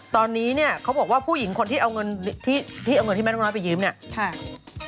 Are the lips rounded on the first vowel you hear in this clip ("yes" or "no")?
yes